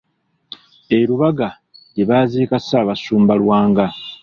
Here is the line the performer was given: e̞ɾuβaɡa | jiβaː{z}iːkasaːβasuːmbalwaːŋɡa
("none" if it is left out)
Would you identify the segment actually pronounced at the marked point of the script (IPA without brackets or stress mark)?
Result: z